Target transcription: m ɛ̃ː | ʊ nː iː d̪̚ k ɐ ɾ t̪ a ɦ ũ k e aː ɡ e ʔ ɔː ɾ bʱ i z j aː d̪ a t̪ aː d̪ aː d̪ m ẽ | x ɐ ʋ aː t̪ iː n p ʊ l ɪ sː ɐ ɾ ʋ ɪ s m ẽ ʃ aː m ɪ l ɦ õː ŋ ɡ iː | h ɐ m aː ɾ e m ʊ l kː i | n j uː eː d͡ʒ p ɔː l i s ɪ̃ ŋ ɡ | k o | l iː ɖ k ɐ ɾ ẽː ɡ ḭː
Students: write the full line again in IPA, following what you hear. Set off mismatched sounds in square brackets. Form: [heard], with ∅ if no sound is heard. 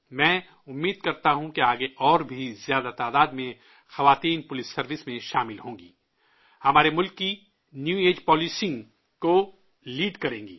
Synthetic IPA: m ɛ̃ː | ʊ [mː] iː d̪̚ k ɐ ɾ t̪ a ɦ ũ k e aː ɡ e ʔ ɔː ɾ bʱ i z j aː d̪ a t̪ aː d̪ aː d̪ m ẽ | x ɐ ʋ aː t̪ iː n p ʊ l ɪ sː ɐ ɾ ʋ ɪ s m ẽ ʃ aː m ɪ l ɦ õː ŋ ɡ iː | h ɐ m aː ɾ e m ʊ l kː i | n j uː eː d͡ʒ p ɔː l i s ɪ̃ ŋ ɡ | k o | l iː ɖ k ɐ ɾ ẽː ɡ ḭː